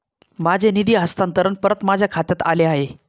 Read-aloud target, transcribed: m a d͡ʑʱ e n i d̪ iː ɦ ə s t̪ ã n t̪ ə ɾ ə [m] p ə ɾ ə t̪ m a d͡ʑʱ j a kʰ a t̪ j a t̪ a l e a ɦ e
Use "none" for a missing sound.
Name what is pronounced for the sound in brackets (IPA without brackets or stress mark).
n